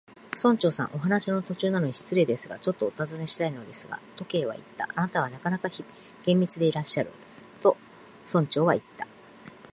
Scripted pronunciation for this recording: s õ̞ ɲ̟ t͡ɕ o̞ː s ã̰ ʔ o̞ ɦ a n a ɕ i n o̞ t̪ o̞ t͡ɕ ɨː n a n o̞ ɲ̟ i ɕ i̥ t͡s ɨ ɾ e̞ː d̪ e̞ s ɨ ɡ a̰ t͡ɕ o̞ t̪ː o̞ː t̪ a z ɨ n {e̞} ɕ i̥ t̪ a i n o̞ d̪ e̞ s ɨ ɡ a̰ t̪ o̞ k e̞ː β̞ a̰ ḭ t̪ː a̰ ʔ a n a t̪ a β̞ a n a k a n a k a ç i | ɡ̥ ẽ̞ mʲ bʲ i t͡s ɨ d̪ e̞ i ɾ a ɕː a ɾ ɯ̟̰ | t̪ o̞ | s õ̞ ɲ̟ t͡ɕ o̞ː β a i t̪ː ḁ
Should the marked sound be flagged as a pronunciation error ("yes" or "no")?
no